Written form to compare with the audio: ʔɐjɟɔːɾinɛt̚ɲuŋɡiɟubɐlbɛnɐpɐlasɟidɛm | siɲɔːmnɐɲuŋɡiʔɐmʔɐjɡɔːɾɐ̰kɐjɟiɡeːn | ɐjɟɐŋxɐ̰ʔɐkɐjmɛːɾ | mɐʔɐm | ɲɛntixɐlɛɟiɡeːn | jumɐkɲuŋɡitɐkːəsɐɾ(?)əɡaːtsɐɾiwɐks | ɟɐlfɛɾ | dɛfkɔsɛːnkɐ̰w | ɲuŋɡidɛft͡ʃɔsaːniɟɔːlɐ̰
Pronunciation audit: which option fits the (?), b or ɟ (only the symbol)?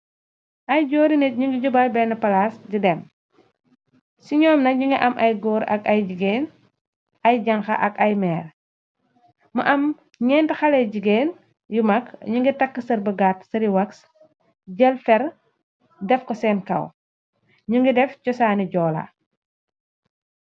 b